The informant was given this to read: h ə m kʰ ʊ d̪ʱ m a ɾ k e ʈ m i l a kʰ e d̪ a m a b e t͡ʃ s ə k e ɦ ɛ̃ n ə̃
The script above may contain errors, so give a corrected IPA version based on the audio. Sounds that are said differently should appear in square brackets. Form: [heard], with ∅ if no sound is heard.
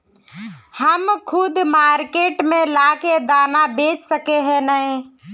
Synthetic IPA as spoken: h ə m kʰ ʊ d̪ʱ m a ɾ k e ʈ m [e] l a [k] e d̪ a [n] a b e t͡ʃ s ə k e ɦ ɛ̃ n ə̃